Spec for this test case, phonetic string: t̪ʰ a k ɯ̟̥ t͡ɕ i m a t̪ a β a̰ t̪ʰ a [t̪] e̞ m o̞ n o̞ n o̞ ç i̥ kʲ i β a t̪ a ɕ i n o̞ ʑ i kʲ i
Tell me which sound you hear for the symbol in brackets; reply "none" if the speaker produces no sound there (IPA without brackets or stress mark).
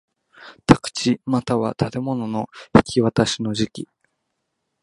t̪